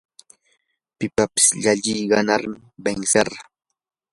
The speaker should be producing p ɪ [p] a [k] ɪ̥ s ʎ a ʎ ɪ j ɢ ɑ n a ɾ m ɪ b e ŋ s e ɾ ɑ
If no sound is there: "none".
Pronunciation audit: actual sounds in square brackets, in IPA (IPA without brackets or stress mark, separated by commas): p, p